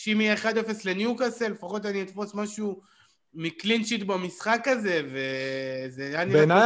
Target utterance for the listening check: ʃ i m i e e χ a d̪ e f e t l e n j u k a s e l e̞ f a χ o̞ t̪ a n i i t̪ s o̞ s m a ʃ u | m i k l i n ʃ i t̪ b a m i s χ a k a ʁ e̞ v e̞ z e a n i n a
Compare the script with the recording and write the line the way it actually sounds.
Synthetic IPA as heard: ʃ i m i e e χ a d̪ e f e s l e n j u k a s e l e̞ f a χ o̞ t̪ a n i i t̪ f o̞ s m a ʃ u | m i k l i n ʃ i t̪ b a m i s χ a k a z e̞ v e̞ z e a n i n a